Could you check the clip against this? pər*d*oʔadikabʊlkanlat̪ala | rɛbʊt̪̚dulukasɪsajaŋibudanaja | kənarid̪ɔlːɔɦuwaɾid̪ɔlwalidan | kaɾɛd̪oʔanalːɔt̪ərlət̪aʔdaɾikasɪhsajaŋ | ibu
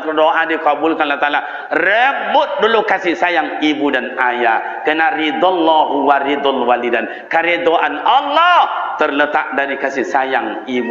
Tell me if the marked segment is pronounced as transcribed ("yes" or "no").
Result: yes